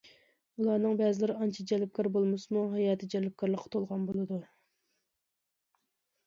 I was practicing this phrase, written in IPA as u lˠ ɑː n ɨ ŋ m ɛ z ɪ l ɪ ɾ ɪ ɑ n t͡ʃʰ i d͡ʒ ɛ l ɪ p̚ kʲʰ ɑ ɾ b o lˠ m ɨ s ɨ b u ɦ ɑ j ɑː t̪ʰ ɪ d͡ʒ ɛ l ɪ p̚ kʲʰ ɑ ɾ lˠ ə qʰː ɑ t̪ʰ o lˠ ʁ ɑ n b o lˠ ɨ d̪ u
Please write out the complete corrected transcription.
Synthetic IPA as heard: u lˠ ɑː n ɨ ŋ b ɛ z ɪ l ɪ ɾ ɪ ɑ n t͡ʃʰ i d͡ʒ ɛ l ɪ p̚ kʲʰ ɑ ɾ b o lˠ m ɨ s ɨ m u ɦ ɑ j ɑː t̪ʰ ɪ d͡ʒ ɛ l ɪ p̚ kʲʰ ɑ ɾ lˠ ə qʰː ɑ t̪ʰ o lˠ ʁ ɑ n b o lˠ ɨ d̪ u